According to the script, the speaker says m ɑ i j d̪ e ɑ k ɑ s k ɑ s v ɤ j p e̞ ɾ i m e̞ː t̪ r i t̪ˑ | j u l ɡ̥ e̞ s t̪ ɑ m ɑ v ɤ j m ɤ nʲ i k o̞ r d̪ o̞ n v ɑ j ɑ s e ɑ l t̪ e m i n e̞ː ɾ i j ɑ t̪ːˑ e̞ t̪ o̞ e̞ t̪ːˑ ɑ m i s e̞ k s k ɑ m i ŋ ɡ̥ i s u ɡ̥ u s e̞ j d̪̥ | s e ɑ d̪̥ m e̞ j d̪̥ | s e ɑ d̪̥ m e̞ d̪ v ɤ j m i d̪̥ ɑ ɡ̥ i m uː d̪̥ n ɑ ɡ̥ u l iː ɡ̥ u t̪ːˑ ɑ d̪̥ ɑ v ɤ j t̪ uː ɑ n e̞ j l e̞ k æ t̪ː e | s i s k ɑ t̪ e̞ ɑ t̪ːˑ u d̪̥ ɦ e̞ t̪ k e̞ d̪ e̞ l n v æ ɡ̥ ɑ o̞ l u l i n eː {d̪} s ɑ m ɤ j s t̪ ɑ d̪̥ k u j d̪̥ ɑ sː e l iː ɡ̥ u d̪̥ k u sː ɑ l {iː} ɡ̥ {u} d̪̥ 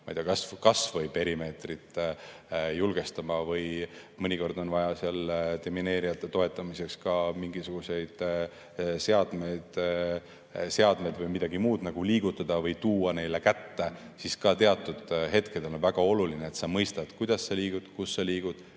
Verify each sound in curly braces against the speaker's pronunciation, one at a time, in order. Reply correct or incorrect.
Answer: incorrect: t̪, correct, correct

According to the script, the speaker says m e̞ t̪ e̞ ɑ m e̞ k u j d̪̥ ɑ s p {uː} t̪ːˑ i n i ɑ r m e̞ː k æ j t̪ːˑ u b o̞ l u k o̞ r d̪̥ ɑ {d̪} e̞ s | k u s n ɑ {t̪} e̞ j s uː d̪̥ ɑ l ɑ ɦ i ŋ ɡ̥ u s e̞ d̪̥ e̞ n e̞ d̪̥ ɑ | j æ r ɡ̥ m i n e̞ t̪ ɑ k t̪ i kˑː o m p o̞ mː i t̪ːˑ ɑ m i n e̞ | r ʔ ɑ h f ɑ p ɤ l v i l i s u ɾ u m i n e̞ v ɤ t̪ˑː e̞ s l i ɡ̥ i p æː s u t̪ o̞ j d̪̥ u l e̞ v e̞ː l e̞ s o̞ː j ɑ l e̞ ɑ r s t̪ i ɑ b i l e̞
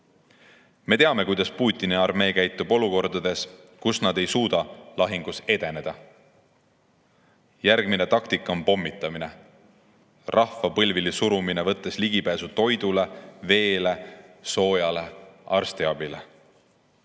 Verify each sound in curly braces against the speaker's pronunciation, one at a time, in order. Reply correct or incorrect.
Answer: correct, correct, incorrect: d̪

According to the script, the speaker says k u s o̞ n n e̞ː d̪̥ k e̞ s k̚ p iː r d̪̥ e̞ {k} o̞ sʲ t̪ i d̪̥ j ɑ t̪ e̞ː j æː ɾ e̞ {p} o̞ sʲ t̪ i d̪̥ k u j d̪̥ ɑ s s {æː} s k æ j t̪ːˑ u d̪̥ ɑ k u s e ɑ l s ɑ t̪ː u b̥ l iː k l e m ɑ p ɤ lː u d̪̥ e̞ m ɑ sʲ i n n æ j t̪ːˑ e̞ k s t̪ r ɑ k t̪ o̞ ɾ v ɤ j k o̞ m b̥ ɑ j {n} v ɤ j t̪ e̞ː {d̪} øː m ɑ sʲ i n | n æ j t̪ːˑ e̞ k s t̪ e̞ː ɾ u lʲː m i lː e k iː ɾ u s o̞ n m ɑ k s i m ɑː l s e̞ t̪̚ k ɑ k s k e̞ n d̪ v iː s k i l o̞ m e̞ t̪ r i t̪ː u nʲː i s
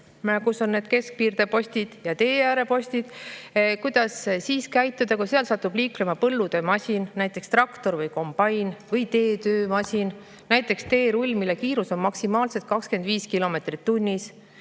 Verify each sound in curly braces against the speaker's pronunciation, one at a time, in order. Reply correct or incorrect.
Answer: incorrect: p, correct, incorrect: iː, correct, incorrect: t̪

